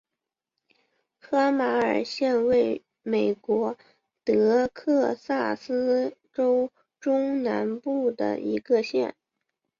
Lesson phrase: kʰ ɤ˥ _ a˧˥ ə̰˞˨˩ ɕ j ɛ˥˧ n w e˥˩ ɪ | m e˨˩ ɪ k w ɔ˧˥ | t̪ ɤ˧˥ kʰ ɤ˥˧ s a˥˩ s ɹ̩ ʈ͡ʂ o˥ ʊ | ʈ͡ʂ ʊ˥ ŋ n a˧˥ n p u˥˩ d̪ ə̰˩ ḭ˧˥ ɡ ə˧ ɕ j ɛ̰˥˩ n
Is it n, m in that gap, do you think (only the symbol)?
m